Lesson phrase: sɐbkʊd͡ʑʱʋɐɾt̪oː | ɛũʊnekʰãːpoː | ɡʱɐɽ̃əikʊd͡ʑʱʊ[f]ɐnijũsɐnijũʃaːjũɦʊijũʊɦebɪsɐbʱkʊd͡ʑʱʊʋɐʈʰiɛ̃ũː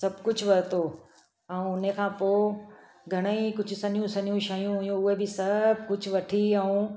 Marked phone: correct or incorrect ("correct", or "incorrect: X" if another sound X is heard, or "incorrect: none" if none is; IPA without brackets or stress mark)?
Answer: incorrect: s